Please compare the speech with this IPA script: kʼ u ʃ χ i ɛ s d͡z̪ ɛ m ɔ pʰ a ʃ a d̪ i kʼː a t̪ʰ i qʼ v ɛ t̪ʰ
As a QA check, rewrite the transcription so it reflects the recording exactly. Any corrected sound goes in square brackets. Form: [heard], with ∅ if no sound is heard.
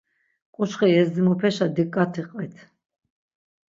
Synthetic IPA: kʼ u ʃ χ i ɛ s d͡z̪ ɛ m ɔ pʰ [ɛ] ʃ a d̪ i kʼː a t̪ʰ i qʼ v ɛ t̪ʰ